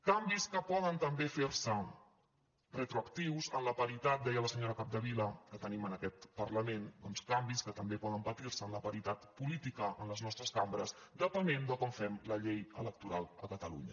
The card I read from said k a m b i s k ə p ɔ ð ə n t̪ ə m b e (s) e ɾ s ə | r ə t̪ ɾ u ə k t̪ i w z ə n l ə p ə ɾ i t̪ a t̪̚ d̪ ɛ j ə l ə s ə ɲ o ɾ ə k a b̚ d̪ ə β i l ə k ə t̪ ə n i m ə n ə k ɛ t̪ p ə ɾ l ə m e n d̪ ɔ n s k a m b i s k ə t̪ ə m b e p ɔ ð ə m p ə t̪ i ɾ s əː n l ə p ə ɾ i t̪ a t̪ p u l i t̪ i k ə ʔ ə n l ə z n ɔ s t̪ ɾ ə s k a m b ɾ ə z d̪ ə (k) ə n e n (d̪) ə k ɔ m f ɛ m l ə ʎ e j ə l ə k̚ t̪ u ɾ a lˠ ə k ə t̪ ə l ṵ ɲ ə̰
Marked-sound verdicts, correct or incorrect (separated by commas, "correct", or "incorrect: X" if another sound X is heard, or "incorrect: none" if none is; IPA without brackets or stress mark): incorrect: f, incorrect: p, correct